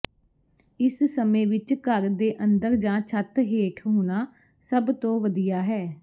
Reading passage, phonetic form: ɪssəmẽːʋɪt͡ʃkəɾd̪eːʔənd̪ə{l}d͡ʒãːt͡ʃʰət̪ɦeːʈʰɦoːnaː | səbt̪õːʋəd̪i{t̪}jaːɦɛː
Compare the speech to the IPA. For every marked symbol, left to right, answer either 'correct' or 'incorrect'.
incorrect: ɾ, incorrect: none

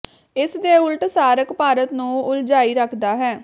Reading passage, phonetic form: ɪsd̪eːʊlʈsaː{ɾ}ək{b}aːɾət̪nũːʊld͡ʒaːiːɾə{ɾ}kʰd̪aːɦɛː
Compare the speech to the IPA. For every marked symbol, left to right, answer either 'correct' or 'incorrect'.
correct, incorrect: p, incorrect: none

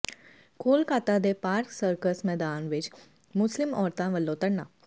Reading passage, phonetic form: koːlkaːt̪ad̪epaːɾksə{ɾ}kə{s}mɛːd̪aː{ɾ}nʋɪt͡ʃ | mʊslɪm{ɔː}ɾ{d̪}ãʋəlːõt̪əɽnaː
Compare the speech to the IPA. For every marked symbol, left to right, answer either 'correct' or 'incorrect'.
correct, correct, incorrect: none, correct, incorrect: t̪

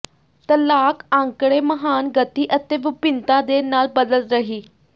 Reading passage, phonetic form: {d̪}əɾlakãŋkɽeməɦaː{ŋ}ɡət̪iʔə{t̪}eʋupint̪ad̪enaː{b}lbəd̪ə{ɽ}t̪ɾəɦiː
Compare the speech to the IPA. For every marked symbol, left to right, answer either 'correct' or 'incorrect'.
incorrect: t̪, incorrect: n, correct, incorrect: none, incorrect: l

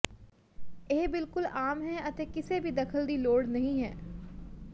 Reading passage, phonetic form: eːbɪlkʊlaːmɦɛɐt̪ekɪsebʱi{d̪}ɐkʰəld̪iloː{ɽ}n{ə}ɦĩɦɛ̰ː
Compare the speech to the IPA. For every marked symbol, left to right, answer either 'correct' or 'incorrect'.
correct, correct, incorrect: ɐ

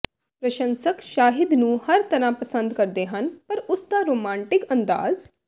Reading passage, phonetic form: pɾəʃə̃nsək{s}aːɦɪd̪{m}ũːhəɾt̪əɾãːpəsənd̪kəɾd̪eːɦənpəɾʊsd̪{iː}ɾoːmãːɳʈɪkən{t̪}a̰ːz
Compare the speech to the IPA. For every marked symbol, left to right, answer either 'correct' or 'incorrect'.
incorrect: ʃ, incorrect: n, incorrect: aː, incorrect: d̪

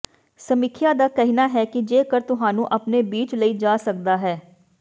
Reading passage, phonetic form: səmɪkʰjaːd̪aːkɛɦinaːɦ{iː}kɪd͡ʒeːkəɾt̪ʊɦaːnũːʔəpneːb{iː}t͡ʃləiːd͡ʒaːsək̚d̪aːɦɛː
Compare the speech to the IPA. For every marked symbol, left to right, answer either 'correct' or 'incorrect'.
incorrect: ɛː, correct

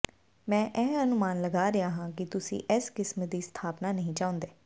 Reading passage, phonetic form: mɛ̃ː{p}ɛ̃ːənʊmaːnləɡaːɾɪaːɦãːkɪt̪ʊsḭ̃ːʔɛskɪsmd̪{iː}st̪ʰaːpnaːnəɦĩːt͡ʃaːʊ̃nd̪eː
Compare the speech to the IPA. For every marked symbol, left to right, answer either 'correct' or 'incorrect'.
incorrect: ʔ, correct

